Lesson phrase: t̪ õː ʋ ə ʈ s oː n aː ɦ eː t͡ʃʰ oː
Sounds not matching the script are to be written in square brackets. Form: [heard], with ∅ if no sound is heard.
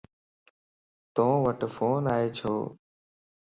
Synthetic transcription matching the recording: t̪ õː ʋ ə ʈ [f] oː n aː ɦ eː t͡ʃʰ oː